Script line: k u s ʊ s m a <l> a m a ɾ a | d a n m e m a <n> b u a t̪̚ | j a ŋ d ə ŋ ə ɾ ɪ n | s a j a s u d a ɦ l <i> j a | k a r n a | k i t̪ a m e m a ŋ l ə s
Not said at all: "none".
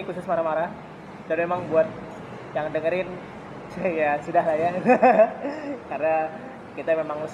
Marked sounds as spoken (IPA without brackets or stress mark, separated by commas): ɾ, ŋ, a